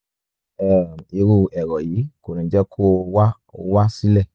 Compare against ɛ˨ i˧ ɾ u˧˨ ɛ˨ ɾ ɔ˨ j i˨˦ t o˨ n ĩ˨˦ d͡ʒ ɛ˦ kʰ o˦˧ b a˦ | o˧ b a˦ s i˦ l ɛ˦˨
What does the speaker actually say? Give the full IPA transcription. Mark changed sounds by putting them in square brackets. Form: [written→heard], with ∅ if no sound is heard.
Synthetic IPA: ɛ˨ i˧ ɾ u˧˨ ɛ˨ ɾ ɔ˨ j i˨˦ [t→k] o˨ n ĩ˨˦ d͡ʒ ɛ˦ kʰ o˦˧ [b→w] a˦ | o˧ [b→w] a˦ s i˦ l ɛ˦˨